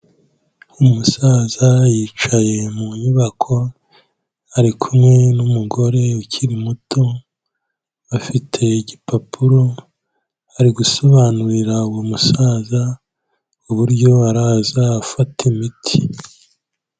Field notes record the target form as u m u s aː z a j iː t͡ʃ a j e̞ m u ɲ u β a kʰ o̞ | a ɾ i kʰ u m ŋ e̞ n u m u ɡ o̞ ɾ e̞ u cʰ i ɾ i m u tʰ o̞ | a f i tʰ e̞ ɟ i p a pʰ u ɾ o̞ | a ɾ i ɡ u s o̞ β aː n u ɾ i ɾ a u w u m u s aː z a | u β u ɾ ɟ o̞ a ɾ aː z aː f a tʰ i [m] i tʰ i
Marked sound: correct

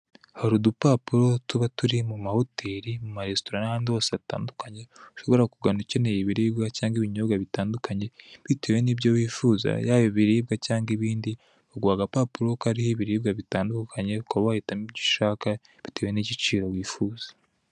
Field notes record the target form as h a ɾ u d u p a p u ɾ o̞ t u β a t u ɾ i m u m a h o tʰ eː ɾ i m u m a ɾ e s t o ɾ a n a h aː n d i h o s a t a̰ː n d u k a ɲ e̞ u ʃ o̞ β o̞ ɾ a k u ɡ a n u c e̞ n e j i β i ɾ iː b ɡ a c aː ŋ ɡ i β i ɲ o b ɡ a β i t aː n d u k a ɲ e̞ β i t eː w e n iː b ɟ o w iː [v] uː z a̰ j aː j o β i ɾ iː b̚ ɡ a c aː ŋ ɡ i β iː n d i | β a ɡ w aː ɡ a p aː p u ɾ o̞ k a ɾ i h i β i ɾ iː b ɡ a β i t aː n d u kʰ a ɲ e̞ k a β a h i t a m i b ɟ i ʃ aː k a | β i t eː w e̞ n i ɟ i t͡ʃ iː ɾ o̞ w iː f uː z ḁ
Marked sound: incorrect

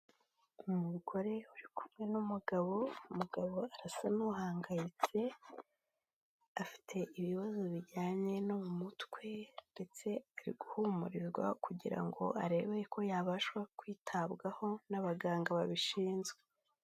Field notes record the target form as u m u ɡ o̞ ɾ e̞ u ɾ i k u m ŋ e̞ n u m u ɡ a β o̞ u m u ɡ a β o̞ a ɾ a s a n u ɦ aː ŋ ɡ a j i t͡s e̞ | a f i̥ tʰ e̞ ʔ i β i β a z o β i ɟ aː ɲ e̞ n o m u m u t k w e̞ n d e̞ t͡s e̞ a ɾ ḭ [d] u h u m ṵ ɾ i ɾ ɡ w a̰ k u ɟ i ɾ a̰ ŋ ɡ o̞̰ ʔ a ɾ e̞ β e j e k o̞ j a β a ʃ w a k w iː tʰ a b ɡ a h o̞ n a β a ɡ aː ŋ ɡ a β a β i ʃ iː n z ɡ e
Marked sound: incorrect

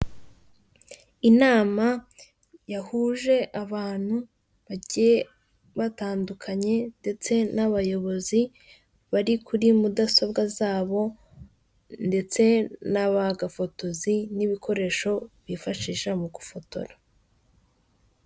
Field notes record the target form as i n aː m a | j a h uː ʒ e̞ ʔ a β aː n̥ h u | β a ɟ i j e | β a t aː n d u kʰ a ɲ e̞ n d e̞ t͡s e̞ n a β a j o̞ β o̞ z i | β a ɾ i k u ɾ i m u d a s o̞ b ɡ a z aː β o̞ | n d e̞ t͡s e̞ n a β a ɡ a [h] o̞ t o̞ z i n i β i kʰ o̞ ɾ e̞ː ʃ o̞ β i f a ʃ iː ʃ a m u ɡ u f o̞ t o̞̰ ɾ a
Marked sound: incorrect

